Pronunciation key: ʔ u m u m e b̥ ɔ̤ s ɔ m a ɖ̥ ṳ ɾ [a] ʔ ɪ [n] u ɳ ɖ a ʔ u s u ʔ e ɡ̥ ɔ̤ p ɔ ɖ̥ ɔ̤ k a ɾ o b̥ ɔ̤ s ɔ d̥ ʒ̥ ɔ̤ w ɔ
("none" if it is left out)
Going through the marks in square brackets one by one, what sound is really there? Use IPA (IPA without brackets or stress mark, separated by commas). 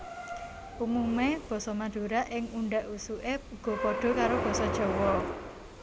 a, ŋ